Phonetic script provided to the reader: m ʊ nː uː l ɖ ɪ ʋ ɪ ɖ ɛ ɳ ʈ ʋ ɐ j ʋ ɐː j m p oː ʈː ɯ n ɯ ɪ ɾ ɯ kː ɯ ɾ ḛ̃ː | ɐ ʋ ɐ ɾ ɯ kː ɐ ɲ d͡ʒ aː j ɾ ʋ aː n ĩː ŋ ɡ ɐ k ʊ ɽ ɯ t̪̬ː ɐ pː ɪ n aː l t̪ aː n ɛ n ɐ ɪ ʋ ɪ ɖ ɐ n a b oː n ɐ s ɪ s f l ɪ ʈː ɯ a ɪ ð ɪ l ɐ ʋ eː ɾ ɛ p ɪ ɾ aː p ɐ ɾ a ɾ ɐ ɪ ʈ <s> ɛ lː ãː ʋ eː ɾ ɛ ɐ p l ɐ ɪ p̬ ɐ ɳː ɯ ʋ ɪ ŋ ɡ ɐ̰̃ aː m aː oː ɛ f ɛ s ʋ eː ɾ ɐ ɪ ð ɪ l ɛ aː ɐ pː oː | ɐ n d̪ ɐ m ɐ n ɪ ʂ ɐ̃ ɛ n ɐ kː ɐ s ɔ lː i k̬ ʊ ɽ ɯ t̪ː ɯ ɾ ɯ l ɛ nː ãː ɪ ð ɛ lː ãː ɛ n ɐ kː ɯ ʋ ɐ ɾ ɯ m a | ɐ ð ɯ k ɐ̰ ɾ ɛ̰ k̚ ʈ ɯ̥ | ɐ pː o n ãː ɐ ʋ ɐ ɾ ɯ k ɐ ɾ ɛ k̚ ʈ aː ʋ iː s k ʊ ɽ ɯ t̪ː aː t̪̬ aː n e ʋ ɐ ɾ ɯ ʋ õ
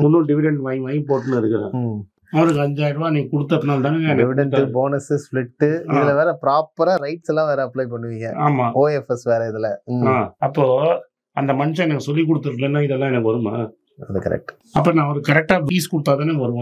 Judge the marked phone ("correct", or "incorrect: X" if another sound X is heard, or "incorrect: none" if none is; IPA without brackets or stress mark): correct